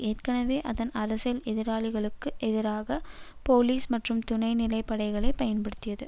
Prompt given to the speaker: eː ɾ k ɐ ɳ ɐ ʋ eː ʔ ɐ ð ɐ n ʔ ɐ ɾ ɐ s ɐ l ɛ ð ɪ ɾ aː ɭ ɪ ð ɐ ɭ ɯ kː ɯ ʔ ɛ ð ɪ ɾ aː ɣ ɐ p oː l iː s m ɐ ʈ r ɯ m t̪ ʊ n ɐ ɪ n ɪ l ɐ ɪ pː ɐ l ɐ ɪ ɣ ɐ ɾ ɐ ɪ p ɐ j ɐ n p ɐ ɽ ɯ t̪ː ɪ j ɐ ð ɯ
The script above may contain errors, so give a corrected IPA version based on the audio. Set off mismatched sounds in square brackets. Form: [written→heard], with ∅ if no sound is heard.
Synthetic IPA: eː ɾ k ɐ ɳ ɐ ʋ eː ʔ ɐ ð ɐ n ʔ ɐ ɾ ɐ s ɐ l ɛ ð ɪ ɾ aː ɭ ɪ [ð→ɣ] ɐ ɭ ɯ kː ɯ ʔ ɛ ð ɪ ɾ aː ɣ ɐ p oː l iː s m ɐ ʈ r ɯ m t̪ ʊ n ɐ ɪ n ɪ l ɐ ɪ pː ɐ [l→ɽ] ɐ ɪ ɣ ɐ [ɾ→ɭ] ɐ ɪ p ɐ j ɐ n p ɐ ɽ ɯ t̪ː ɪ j ɐ ð ɯ